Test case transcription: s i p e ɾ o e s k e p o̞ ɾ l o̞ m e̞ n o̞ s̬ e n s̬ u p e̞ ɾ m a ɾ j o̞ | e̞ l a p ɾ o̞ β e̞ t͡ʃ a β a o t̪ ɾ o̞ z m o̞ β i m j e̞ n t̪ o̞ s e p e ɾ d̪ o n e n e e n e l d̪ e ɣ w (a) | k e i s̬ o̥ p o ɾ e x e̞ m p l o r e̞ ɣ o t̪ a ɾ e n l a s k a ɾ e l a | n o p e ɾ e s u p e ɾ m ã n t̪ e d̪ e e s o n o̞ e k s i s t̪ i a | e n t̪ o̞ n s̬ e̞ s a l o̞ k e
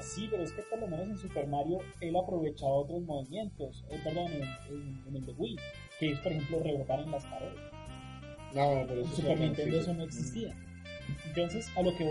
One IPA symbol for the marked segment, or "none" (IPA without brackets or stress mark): i